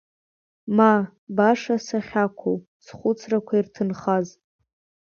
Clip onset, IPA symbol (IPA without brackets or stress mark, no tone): m